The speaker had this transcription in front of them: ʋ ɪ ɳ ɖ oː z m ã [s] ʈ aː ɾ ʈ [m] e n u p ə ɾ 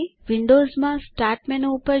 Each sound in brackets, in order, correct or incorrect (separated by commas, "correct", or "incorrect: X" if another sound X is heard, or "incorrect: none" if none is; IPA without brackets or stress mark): correct, correct